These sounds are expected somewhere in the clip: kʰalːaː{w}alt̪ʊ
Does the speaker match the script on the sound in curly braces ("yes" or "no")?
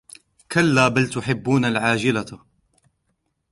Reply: no